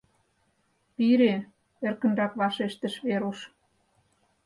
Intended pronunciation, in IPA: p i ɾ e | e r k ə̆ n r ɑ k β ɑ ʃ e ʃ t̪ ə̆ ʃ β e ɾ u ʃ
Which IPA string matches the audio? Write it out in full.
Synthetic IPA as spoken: p i ɾ e | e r k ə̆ n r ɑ k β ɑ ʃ e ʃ t̪ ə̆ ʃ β e ɾ u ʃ